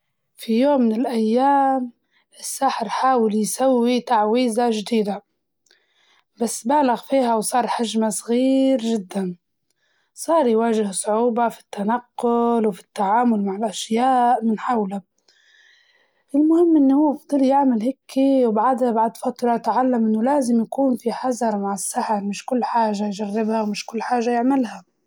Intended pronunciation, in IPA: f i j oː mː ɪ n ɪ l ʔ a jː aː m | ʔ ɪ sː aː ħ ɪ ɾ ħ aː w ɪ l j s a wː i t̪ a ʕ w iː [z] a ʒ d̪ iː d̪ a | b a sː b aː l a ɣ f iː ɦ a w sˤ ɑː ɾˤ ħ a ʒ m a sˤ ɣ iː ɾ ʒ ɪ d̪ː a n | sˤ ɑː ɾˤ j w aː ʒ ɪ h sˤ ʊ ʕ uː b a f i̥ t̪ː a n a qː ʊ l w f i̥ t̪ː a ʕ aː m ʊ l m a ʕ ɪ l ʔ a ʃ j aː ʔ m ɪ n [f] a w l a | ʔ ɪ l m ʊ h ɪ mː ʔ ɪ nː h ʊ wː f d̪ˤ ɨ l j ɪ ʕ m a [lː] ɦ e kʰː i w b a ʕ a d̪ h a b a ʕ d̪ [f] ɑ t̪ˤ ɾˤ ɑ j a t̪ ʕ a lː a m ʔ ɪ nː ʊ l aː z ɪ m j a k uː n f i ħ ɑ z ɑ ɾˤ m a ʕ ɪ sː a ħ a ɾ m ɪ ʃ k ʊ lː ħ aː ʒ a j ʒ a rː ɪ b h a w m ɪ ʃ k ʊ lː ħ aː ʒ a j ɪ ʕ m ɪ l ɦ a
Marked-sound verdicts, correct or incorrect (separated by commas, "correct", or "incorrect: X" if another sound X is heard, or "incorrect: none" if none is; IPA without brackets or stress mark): correct, incorrect: ħ, incorrect: l, correct